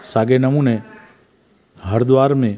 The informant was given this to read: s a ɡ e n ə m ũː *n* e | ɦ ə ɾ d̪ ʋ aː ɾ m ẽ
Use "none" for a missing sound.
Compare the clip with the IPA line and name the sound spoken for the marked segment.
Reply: n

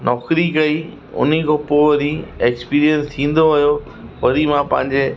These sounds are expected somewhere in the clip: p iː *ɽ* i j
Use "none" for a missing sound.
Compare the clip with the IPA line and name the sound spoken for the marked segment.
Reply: ɾ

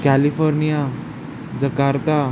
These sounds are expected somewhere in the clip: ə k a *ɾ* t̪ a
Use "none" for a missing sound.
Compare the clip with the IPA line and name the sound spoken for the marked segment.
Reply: ɾ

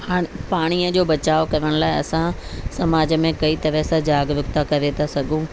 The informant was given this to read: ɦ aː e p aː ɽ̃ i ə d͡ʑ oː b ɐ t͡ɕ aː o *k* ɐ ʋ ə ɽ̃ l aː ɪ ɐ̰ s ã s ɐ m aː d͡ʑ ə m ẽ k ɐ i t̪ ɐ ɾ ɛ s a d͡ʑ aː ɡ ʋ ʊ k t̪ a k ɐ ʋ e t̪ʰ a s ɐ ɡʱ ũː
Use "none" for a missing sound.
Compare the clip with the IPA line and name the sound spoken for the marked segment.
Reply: k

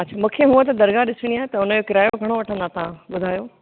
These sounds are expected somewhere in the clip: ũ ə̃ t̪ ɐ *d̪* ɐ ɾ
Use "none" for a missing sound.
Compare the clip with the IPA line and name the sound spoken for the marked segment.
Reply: d̪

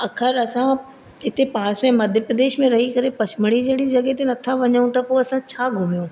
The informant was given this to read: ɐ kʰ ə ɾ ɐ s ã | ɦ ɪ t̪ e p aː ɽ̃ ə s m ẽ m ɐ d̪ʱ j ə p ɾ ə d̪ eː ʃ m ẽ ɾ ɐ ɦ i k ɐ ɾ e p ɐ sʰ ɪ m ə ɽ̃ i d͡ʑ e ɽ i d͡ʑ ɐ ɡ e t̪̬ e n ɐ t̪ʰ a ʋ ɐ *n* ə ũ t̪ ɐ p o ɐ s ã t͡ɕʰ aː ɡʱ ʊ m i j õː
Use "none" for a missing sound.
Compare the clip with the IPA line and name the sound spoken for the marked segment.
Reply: ɲ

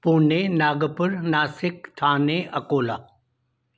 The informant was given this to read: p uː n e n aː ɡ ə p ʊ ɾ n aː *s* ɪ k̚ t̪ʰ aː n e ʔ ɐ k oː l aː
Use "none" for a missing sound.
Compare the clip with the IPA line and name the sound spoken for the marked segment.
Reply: s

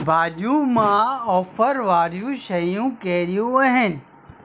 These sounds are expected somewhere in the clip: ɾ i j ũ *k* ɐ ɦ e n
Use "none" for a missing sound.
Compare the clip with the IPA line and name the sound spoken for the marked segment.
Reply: none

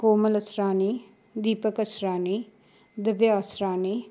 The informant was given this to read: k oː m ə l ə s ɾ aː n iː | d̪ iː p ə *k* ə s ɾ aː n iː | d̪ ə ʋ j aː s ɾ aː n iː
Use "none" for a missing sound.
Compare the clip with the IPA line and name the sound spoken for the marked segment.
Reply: k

